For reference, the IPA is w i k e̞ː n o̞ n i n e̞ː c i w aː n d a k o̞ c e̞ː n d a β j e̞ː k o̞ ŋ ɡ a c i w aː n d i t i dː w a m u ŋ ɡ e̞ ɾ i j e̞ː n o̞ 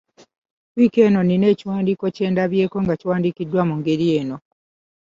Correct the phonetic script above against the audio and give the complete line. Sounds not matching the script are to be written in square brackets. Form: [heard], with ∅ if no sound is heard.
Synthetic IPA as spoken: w i k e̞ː n o̞ n i n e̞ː c i w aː n d [i] k o̞ c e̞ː n d a β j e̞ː k o̞ ŋ ɡ a c i w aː n d i [k] i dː w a m u ŋ ɡ e̞ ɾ i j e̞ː n o̞